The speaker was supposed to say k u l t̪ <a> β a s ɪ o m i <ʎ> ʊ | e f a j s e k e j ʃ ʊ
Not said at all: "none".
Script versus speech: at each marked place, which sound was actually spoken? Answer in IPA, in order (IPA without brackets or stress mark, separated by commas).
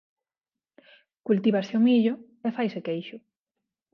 i, ʎ